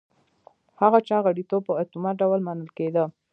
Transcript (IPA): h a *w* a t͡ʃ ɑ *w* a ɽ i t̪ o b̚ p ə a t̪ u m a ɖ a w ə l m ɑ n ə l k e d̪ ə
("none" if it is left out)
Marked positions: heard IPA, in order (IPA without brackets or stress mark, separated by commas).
ɣ, ɣ